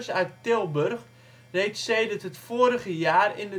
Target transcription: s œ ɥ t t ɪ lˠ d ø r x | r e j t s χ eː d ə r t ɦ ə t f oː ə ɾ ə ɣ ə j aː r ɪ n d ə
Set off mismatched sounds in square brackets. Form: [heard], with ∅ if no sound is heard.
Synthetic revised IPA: s œ ɥ t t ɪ lˠ [b] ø r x | r e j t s [s] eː d ə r t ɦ ə t f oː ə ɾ ə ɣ ə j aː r ɪ n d ə